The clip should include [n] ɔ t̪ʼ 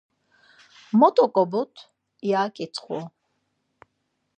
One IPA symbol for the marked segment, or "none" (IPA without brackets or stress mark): m